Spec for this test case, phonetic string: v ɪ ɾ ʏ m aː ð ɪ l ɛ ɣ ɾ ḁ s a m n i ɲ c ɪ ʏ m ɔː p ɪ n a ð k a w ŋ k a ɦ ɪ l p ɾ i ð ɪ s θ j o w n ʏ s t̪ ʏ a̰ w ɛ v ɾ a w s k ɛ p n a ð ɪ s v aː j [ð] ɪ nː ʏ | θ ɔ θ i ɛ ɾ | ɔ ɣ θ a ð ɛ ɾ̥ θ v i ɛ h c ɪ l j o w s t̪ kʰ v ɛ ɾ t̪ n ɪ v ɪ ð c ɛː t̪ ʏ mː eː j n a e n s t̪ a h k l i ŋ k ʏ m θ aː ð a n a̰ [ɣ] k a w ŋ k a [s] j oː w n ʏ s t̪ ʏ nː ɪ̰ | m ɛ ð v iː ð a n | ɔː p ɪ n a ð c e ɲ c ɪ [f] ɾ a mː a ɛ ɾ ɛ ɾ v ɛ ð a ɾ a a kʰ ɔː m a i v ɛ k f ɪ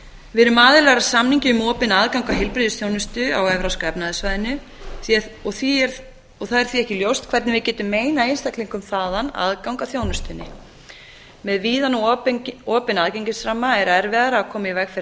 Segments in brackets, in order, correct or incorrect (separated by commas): correct, incorrect, incorrect, incorrect